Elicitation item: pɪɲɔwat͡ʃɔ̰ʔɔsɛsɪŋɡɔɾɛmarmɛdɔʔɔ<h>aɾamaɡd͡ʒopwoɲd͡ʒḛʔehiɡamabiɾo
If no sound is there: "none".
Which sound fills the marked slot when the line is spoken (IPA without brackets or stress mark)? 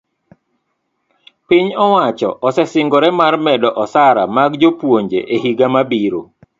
s